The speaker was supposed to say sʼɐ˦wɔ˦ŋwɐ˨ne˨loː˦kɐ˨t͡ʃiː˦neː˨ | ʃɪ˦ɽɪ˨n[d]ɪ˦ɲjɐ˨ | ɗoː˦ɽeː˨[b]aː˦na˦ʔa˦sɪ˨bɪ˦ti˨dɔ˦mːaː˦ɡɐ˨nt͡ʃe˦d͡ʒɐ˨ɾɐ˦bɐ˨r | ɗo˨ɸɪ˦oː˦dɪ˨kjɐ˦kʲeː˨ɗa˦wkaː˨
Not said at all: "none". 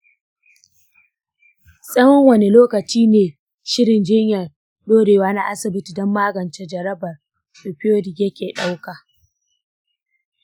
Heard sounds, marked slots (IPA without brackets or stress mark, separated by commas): d͡ʒ, w